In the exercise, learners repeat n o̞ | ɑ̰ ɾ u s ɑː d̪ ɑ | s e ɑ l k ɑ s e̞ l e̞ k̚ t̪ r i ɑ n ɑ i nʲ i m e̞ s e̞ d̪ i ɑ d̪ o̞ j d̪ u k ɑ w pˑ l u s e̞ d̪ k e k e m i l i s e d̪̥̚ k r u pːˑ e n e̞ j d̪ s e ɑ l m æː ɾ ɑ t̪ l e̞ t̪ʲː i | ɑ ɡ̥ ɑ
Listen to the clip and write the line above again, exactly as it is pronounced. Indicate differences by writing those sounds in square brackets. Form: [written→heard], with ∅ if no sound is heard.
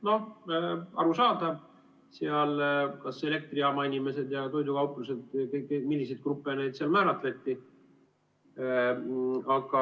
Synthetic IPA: n o̞ | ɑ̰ ɾ u s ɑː d̪ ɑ | s e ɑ l k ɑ s e̞ l e̞ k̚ t̪ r i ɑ [n→m] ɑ i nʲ i m e̞ s e̞ d̪ [i→j] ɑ [d̪→t̪] o̞ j d̪ u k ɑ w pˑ l u s e̞ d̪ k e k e m i [l→lː] i s e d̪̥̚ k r u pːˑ e n e̞ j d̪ s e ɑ l m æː ɾ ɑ t̪ l e̞ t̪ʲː i | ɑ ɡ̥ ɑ